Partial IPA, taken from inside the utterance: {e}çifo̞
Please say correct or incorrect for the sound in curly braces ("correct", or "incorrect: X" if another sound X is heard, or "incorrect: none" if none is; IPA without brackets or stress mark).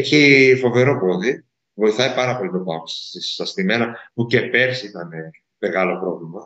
correct